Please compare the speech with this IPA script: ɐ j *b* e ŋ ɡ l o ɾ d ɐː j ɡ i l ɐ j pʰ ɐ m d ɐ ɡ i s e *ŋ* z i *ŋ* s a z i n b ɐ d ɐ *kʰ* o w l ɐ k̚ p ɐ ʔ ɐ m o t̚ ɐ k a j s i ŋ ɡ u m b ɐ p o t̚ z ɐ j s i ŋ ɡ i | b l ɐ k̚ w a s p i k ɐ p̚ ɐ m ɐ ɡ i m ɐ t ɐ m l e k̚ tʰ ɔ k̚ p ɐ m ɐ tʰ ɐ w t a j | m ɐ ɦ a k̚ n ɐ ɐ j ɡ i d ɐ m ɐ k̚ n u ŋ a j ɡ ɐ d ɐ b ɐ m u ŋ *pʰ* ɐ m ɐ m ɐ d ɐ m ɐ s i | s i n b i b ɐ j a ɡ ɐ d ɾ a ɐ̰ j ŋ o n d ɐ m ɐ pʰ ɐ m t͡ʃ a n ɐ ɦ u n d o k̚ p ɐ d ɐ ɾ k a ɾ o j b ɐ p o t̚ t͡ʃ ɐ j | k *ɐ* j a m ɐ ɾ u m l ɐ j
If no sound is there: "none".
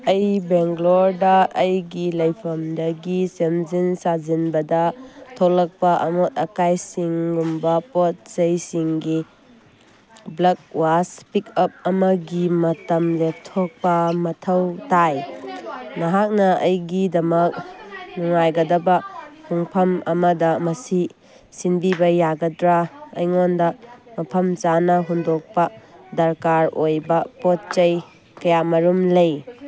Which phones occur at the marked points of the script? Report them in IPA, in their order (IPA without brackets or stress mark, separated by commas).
b, m, n, tʰ, pʰ, ɐ